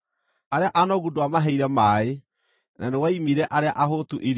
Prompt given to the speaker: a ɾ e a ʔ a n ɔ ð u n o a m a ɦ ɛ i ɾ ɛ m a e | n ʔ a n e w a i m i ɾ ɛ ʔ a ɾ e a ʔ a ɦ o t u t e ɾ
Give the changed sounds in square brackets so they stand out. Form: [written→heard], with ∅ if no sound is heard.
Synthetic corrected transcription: a ɾ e a ʔ a n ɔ [ð→ɣ] u [n→d] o a m a ɦ ɛ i ɾ ɛ m a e | n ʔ a n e w a i m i ɾ ɛ ʔ a ɾ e a ʔ a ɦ o t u [t→ʔ] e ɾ